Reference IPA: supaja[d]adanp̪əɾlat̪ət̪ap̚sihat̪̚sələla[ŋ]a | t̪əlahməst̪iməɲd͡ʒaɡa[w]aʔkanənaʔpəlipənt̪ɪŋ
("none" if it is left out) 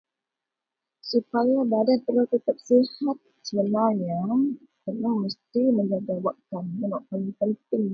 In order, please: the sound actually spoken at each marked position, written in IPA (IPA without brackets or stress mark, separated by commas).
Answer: b, ɲ, w